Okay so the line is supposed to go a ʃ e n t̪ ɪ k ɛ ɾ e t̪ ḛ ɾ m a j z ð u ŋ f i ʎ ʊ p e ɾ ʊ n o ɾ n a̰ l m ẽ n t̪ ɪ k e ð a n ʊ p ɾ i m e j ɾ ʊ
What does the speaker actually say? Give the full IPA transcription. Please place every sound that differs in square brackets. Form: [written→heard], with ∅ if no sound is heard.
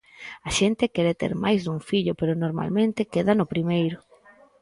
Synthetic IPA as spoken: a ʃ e n t̪ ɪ k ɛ ɾ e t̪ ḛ ɾ m a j z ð u ŋ f i ʎ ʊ p e ɾ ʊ n o ɾ [n→m] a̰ l m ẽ n t̪ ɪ k e ð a n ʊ p ɾ i m e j ɾ ʊ